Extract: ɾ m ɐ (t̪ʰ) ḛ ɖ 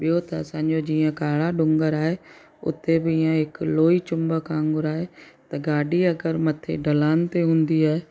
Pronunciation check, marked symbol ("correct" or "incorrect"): correct